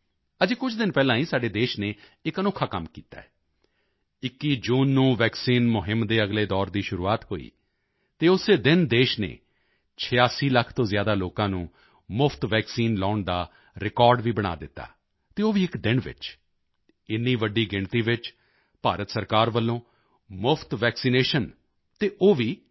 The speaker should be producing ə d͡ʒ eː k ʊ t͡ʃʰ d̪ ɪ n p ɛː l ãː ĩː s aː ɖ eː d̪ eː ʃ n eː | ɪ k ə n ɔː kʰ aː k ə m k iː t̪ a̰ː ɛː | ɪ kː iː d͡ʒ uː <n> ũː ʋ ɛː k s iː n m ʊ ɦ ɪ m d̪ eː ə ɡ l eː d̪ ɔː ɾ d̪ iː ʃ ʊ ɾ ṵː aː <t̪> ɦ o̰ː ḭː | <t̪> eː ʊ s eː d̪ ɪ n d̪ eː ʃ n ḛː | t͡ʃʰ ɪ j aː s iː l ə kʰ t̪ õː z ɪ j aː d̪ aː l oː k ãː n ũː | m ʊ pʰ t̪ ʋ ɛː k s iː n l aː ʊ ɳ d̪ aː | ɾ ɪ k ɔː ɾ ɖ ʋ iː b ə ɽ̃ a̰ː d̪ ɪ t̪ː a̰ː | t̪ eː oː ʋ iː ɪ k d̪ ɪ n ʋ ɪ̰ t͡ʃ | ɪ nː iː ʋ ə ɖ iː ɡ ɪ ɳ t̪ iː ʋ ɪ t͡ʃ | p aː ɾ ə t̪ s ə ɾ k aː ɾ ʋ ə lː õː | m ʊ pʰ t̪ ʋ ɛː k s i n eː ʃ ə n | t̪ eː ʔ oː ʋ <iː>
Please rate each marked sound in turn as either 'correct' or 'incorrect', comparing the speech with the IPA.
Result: incorrect, correct, correct, correct

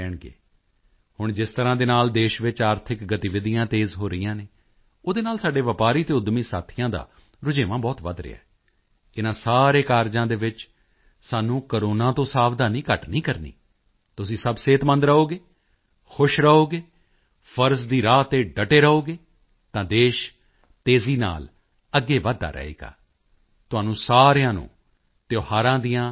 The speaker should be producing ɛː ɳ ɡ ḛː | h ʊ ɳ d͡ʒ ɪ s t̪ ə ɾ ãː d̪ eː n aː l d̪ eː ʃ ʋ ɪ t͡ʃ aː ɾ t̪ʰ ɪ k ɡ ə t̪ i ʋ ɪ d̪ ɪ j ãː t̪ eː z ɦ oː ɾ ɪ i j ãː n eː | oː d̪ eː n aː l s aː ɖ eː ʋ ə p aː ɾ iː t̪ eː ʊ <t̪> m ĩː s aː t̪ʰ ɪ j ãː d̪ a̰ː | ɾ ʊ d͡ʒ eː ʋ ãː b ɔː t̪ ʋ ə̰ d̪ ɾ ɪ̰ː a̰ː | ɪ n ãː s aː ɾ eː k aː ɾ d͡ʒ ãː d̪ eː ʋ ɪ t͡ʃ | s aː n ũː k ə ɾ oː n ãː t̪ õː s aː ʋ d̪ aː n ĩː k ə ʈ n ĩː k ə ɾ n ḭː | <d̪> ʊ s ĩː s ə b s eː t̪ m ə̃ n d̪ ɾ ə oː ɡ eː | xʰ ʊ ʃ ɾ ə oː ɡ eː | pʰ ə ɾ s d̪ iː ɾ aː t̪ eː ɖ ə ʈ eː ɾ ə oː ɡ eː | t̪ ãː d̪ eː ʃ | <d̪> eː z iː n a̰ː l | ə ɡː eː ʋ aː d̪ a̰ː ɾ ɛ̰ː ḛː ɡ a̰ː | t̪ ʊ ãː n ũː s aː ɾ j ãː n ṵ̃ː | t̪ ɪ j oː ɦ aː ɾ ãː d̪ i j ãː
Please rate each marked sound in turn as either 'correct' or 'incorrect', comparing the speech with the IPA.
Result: incorrect, incorrect, incorrect

